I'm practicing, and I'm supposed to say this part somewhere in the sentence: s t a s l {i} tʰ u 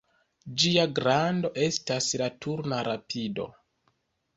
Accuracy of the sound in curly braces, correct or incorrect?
incorrect